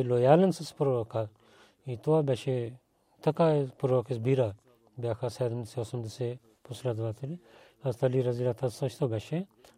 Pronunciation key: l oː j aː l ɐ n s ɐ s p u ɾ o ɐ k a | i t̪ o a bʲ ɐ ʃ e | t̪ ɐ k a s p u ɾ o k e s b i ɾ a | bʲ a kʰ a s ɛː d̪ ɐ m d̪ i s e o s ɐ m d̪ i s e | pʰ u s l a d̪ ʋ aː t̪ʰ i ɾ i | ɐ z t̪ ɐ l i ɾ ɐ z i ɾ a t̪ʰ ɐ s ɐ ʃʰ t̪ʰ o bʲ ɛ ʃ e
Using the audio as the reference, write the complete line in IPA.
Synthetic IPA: l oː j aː l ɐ n s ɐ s p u ɾ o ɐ k a | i t̪ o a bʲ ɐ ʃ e | t̪ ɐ k a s p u ɾ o k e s b i ɾ a | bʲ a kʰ a s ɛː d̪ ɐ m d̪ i s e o s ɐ m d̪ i s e | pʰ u s l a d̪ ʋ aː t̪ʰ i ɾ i | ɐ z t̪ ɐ l i ɾ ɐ z i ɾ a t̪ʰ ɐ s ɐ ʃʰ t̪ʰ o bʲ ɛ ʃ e